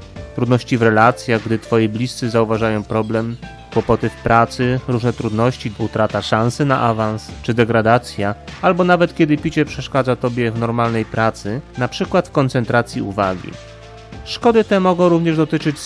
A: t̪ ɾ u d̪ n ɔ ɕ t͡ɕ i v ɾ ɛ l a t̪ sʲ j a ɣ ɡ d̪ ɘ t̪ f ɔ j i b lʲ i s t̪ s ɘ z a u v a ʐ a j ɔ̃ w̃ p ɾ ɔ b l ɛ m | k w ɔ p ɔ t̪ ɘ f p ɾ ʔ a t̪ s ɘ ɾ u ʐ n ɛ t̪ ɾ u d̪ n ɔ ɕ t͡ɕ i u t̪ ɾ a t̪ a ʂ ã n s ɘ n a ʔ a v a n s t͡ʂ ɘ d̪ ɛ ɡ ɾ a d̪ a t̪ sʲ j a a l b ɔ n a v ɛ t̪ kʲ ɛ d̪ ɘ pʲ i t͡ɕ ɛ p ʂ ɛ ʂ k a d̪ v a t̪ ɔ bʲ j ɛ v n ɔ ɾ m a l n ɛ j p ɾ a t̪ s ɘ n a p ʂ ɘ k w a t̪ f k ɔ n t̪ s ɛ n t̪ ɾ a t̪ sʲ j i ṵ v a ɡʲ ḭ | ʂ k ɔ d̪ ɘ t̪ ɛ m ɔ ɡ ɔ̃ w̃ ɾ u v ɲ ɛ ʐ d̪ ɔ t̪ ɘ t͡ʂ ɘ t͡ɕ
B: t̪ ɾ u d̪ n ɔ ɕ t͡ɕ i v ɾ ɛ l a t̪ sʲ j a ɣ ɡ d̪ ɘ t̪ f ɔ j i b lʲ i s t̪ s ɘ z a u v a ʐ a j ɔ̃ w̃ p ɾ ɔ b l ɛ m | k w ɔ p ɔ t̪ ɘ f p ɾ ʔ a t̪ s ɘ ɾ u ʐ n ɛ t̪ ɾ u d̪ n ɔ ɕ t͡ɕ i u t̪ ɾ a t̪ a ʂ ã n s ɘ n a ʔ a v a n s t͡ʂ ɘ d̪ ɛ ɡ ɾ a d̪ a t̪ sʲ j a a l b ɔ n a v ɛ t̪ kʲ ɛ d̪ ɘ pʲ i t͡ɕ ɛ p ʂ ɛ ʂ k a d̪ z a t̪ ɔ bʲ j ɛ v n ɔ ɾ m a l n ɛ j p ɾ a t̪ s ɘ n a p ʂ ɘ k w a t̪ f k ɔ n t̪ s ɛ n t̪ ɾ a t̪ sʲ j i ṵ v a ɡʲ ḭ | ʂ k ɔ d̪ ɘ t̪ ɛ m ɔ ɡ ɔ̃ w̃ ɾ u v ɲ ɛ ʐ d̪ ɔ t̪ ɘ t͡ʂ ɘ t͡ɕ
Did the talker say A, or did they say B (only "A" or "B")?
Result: B